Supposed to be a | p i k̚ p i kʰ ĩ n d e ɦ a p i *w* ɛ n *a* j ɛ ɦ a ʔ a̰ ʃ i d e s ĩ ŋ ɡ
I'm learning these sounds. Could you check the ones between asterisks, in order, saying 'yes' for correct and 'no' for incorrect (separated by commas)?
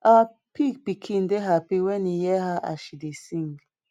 yes, no